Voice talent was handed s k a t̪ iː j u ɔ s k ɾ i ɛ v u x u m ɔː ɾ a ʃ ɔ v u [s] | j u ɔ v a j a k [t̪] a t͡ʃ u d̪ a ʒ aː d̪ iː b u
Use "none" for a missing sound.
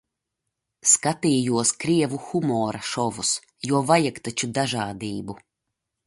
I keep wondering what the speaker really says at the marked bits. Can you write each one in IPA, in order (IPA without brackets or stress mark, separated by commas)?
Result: s, t̪